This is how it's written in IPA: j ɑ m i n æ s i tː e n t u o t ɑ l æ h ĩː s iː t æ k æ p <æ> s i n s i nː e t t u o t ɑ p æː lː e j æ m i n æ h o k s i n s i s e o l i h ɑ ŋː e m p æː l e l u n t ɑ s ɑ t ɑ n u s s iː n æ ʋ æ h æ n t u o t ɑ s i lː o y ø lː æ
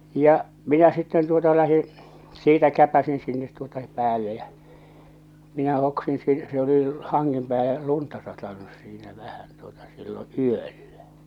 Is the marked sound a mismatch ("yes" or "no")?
no